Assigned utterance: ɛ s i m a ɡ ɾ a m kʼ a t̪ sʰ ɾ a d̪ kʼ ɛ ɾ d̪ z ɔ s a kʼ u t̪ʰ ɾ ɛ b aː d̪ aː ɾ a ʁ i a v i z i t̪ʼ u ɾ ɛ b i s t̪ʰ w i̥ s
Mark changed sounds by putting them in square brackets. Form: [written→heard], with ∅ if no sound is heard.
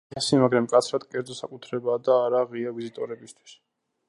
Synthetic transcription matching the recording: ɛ s i m a ɡ ɾ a m kʼ a t̪ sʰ ɾ a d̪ kʼ ɛ ɾ d̪ z ɔ s a kʼ u t̪ʰ ɾ ɛ b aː d̪ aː ɾ a ʁ i a v i z i t̪ʼ [u→ɔ] ɾ ɛ b i s t̪ʰ w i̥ s